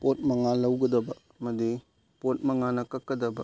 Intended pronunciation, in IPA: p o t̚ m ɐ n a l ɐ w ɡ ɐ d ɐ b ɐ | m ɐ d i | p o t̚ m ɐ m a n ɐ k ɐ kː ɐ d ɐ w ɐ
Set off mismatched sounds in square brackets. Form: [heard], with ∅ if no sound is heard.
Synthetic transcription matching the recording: p o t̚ m ɐ [ŋ] a l ɐ w ɡ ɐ d ɐ b ɐ | m ɐ d i | p o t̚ m ɐ [ŋ] a n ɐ k ɐ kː ɐ d ɐ [b] ɐ